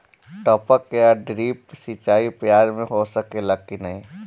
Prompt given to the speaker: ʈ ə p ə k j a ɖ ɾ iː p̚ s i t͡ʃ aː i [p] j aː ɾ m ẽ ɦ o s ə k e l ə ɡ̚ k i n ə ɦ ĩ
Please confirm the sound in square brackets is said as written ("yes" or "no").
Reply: yes